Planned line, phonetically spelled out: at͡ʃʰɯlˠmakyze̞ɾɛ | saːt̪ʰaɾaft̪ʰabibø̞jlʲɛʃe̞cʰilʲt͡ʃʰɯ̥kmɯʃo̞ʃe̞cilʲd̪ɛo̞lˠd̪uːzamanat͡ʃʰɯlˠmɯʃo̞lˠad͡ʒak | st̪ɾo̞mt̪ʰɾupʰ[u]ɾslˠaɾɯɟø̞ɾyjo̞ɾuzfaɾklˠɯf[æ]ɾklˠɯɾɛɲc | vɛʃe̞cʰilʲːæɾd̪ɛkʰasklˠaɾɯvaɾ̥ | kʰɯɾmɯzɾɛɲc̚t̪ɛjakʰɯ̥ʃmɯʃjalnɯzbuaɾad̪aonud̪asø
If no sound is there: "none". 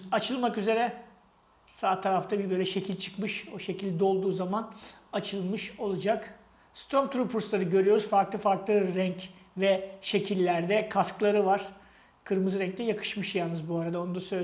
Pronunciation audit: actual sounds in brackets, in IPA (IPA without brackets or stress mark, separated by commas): u, a